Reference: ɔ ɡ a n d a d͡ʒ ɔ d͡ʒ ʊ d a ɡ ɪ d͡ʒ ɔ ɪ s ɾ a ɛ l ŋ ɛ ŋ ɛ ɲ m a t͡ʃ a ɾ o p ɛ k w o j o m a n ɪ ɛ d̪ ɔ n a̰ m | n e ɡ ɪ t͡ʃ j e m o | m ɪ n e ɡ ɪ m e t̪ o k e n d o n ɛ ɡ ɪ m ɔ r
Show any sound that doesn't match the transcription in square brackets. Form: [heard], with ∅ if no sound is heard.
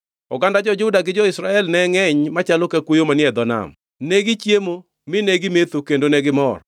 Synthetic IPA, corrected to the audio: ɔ ɡ a n d a d͡ʒ ɔ d͡ʒ ʊ d a ɡ ɪ d͡ʒ ɔ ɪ s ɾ a ɛ l [n] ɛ ŋ ɛ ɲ m a t͡ʃ a [l] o [k] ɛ k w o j o m a n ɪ ɛ d̪ ɔ n a̰ m | n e ɡ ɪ t͡ʃ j e m o | m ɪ n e ɡ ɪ m e t̪ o k e n d o n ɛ ɡ ɪ m ɔ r